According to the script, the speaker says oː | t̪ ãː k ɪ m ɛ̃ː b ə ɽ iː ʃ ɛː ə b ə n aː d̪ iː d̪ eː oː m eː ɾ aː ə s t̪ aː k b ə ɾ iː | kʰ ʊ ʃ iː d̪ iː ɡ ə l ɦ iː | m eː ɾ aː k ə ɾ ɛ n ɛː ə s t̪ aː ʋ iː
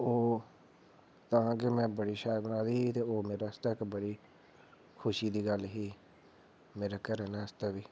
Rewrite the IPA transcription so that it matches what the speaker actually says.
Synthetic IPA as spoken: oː | t̪ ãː k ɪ m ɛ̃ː b ə ɽ iː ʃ aː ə b ə n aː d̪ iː t̪ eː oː m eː ɾ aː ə s t̪ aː k b ə ɽ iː | kʰ ʊ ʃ iː d̪ iː ɡ ə l ɦ iː | m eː ɾ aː k ə ɾ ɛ n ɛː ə s t̪ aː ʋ iː